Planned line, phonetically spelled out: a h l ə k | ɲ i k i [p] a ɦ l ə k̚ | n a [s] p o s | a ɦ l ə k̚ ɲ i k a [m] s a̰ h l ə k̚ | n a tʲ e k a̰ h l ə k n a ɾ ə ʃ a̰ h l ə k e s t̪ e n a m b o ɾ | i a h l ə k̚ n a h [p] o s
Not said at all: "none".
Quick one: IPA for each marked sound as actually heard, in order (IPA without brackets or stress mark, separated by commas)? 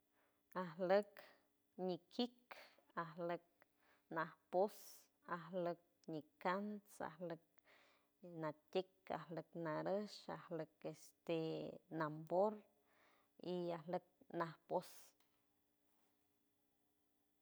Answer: k, h, n, p